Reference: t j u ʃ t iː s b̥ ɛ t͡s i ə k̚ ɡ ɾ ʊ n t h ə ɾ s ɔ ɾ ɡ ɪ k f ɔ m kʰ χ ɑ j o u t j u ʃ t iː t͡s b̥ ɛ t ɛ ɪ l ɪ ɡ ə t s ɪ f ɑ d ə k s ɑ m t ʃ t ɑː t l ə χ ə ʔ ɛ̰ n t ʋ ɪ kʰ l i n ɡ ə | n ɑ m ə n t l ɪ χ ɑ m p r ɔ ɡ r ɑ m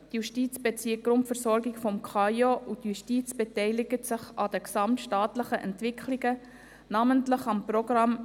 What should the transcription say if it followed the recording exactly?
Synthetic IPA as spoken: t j u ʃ t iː t͡s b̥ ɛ t͡s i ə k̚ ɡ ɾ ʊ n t f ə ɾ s ɔ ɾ ɡ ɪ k f ɔ m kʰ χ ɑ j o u t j u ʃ t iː t͡s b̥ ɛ t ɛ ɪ l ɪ ɡ ə t s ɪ χ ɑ d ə k s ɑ m t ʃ t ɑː t l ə χ ə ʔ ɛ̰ n t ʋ ɪ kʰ l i ɡ ə | n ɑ m ə n t l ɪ χ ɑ m p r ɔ ɡ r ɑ m